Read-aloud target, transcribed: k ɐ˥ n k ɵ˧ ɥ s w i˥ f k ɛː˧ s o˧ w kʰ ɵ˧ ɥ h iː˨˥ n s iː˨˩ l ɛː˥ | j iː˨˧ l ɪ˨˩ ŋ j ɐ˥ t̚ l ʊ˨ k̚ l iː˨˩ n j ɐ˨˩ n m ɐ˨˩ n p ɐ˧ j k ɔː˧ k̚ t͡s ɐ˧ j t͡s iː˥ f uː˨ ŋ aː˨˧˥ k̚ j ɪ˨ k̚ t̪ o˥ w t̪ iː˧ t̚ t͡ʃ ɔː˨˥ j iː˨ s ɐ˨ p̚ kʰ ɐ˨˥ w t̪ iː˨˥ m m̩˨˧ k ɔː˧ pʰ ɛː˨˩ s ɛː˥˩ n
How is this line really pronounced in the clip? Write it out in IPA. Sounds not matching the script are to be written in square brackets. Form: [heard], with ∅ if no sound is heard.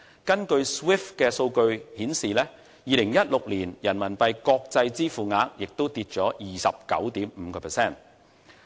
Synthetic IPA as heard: k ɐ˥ n k ɵ˧ ɥ s w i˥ f k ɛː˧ s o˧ w [k] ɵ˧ ɥ h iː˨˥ n s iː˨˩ l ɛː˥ | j iː˨˧ l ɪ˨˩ ŋ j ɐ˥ t̚ l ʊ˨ k̚ l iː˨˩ n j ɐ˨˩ n m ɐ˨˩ n p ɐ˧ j k ɔː˧ k̚ t͡s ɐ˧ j t͡s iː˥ f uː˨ ŋ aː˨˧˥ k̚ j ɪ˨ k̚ t̪ o˥ w t̪ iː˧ t̚ t͡ʃ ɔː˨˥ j iː˨ s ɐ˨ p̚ [k] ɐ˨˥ w t̪ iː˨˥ m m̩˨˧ k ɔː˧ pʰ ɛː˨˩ s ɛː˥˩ n